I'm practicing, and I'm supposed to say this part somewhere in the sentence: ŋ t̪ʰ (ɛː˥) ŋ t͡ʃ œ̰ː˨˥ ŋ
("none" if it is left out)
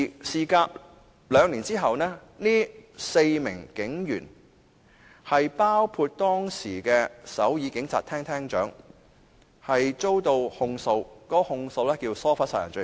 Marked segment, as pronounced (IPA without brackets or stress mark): ɛː˥